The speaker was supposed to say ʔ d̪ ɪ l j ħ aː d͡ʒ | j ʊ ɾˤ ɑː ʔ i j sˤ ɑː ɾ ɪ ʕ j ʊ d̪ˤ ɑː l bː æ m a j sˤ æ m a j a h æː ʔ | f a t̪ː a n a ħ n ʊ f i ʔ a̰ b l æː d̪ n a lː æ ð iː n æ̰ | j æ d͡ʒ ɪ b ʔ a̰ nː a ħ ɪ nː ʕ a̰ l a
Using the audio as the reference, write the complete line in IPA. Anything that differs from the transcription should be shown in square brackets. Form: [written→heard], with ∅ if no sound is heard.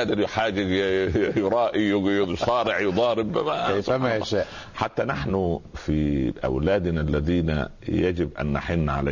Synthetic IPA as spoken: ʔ d̪ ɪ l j ħ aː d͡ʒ | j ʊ ɾˤ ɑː ʔ i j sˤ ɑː ɾ ɪ ʕ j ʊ d̪ˤ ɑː [l→ɾ] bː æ m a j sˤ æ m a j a [h→ʃ] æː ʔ | [f→ħ] a t̪ː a n a ħ n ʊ f i ʔ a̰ [b→w] l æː d̪ n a lː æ ð iː n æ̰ | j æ d͡ʒ ɪ b ʔ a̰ nː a ħ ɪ nː ʕ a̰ l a